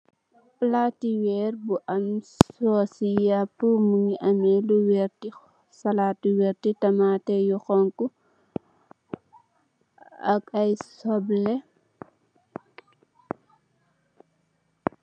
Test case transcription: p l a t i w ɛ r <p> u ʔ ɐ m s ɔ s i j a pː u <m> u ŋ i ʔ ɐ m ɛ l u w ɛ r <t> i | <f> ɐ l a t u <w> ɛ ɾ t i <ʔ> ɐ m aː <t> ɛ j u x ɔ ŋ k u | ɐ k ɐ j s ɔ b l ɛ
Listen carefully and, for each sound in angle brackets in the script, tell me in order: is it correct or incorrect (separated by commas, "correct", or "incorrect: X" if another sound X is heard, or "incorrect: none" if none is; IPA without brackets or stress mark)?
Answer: incorrect: b, correct, correct, incorrect: s, correct, incorrect: t, correct